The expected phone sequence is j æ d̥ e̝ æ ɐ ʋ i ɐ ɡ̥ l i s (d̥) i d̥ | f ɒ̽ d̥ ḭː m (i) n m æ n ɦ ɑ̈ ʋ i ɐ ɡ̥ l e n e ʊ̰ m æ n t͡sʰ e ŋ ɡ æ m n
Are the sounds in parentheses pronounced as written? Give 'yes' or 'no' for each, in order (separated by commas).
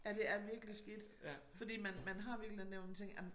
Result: no, no